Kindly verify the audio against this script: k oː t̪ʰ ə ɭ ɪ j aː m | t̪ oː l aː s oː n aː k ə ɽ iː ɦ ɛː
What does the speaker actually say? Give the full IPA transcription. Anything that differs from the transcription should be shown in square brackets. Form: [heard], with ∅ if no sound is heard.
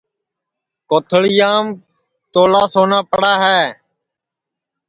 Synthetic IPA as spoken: k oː t̪ʰ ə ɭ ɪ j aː m | t̪ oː l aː s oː n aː [p] ə ɽ [aː] ɦ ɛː